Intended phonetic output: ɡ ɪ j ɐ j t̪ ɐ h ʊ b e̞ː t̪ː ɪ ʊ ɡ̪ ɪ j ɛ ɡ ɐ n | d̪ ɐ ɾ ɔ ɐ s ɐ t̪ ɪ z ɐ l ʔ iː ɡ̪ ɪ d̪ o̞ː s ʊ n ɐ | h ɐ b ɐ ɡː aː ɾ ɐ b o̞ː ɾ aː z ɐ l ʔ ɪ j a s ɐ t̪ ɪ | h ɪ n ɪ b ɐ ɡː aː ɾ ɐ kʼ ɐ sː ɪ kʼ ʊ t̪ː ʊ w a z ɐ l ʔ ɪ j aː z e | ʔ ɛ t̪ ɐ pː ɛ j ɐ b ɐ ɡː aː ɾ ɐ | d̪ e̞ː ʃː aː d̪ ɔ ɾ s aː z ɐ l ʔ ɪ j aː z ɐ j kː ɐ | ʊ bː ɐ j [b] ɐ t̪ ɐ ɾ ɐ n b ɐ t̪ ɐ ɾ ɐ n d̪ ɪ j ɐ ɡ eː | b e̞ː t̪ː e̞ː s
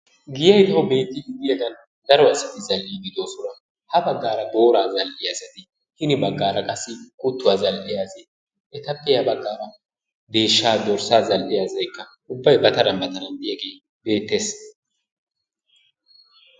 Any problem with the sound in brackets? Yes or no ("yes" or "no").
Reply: no